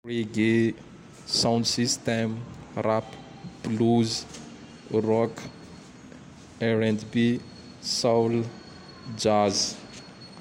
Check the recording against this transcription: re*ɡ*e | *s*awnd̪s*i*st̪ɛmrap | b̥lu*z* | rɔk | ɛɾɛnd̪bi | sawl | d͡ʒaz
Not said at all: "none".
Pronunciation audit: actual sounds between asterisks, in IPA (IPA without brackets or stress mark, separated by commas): ɡ, s, i, z